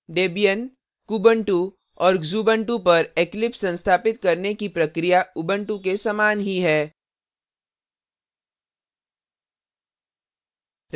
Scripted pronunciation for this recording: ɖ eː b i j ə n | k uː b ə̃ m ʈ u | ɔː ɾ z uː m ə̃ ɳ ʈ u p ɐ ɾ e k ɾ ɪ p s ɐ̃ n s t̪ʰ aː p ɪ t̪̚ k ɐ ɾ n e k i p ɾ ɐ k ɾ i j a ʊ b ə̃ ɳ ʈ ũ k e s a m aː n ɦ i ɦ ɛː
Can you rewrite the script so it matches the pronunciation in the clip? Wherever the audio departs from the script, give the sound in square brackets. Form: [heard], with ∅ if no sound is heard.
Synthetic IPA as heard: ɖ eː b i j ə n | k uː b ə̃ [ɳ] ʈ u | ɔː ɾ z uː [b] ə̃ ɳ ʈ u p ɐ ɾ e k [l] ɪ p s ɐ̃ n s t̪ʰ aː p ɪ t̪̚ k ɐ ɾ n e k i p ɾ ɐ k ɾ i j a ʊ b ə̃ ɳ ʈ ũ k e s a m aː n ɦ i ɦ ɛː

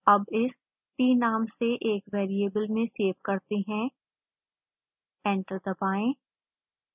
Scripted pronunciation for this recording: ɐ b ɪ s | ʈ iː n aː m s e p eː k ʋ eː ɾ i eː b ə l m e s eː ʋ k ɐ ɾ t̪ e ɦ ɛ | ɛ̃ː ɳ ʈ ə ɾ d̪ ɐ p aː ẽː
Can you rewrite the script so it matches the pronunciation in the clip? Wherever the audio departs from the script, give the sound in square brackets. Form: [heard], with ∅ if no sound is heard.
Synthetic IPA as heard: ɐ b ɪ s | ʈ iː n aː m s e [ʔ] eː k ʋ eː ɾ i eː b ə l m [ẽ] s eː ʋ k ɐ ɾ t̪ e ɦ [ɛ̃] | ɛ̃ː ɳ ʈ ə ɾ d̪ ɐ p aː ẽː

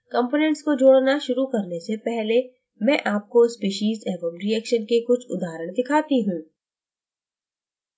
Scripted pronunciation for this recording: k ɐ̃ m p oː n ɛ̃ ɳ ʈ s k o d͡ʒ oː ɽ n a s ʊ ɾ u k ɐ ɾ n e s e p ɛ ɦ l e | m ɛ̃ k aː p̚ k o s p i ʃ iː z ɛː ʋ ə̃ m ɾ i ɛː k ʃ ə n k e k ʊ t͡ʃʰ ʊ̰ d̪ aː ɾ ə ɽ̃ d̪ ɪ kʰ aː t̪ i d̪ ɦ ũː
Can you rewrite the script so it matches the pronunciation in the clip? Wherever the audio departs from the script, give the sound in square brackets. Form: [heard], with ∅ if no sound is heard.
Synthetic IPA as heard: k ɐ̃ m p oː n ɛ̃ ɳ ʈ s k o d͡ʒ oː ɽ n a [ʃ] ʊ ɾ u k ɐ ɾ n e s e p ɛ ɦ l e | m ɛ̃ [ʔ] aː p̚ k o s p [iː] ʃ iː z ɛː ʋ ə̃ m ɾ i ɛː k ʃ ə n k e k ʊ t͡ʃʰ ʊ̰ d̪ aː ɾ ə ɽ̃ d̪ ɪ kʰ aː t̪ i [∅] ɦ ũː

